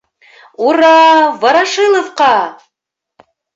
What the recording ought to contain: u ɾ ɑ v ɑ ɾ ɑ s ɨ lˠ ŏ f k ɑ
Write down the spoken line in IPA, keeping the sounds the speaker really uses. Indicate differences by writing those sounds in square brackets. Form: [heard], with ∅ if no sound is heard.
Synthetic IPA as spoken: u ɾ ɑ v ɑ ɾ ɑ [ʃ] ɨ lˠ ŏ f [q] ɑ